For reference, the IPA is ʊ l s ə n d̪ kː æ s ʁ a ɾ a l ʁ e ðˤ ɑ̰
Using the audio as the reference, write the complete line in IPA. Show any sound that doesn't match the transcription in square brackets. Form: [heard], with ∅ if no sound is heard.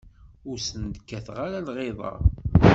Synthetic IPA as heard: ʊ [ɾ] s ə n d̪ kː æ [θ] ʁ a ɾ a l ʁ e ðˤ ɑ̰